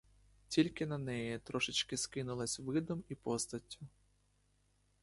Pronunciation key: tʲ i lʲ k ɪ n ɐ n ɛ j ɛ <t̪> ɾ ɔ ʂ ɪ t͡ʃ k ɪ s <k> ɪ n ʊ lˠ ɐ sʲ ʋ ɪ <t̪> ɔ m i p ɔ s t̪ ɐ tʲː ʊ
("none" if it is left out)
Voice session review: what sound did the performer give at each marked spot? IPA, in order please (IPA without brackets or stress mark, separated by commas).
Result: t̪, k, d̪